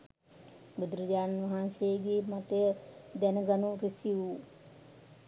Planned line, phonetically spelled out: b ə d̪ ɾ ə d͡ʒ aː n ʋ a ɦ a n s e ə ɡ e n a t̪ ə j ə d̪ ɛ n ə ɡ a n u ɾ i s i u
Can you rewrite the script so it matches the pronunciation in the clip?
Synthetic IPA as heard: b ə d̪ ɾ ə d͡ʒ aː n ʋ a ɦ a n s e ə ɡ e m a t̪ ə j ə d̪ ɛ n ə ɡ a n u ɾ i s i u